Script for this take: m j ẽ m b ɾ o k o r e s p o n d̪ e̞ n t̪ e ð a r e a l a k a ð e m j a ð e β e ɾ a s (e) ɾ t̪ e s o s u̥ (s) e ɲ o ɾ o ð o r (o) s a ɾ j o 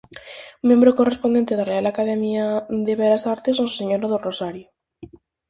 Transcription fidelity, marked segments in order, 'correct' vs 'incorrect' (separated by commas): incorrect, correct, correct